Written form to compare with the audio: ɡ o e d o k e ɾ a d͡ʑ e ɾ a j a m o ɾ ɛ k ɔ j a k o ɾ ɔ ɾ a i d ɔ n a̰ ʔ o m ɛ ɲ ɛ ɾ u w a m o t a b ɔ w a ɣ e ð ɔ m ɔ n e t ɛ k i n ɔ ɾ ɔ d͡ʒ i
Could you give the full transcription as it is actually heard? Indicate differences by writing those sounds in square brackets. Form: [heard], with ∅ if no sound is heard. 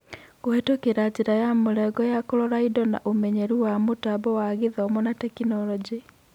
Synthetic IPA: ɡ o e [t] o k e ɾ a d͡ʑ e ɾ a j a m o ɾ ɛ [ɡ] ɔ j a k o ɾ ɔ ɾ a i d ɔ n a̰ ʔ o m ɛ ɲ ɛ ɾ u w a m o t a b ɔ w a ɣ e ð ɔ m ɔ n [a] t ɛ k i n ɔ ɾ ɔ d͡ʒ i